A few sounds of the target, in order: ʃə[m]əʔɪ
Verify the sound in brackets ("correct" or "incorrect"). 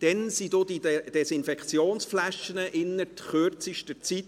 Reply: incorrect